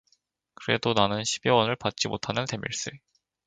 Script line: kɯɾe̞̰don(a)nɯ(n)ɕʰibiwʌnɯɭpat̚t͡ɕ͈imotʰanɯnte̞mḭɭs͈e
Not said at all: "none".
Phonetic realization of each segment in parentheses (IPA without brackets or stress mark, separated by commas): a, n